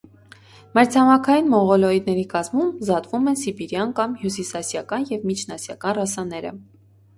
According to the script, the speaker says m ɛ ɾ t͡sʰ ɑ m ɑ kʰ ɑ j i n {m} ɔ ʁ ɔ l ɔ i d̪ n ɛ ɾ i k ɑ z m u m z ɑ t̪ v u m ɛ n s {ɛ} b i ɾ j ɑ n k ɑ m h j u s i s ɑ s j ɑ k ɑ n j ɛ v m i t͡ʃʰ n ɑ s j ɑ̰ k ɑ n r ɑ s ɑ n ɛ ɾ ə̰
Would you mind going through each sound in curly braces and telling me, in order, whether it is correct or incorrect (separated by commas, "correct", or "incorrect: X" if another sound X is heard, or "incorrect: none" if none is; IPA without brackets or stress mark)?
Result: correct, incorrect: i